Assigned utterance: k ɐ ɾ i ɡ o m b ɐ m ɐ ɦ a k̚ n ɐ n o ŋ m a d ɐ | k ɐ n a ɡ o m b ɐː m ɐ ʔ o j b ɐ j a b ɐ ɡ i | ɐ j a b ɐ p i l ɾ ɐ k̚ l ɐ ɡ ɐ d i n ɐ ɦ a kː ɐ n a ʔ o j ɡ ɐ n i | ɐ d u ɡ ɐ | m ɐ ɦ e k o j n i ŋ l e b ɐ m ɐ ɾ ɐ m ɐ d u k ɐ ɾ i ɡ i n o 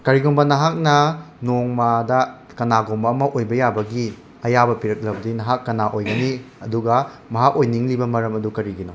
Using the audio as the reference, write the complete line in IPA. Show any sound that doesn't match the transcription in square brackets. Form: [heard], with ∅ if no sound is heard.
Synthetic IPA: k ɐ ɾ i ɡ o m b ɐ [n] ɐ ɦ a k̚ n ɐ n o ŋ m a d ɐ | k ɐ n a ɡ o m b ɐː m ɐ ʔ o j b ɐ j a b ɐ ɡ i | ɐ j a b ɐ p i [∅] ɾ ɐ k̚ l ɐ [b] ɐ d i n ɐ ɦ a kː ɐ n a ʔ o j ɡ ɐ n i | ɐ d u ɡ ɐ | m ɐ ɦ [a] k o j n i ŋ l [i] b ɐ m ɐ ɾ ɐ m ɐ d u k ɐ ɾ i ɡ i n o